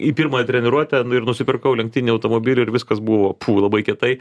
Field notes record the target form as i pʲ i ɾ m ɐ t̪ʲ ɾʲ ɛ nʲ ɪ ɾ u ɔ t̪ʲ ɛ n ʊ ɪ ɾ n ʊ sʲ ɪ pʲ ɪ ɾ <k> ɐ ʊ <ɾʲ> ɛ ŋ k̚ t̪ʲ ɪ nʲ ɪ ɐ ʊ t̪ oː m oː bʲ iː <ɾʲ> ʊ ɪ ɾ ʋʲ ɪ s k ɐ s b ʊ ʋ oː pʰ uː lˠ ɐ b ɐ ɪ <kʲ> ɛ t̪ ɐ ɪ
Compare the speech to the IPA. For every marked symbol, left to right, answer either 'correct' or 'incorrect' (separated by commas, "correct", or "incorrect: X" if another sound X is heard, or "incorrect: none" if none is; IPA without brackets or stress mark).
correct, incorrect: lʲ, incorrect: lʲ, correct